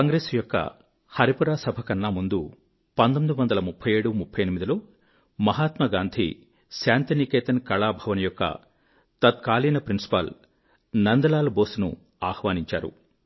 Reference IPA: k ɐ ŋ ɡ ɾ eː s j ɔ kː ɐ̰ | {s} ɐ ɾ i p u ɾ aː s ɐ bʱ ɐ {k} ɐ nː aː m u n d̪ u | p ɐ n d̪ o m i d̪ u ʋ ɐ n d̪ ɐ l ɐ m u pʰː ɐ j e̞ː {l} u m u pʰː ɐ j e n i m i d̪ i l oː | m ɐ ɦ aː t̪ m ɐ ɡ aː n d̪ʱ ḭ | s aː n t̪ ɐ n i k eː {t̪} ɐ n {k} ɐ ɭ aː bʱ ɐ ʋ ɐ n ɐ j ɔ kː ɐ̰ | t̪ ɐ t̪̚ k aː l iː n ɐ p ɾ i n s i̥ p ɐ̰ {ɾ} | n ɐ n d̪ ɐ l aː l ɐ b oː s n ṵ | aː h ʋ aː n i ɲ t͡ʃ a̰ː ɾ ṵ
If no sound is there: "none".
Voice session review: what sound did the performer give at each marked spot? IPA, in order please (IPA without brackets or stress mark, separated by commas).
h, k, ɽ, t̪, k, l